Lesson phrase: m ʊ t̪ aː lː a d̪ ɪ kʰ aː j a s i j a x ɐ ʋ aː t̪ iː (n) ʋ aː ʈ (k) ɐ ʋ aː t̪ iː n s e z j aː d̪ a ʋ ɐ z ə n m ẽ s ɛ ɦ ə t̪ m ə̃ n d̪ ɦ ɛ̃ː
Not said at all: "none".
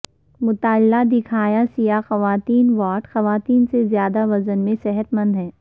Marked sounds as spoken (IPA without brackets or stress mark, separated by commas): n, x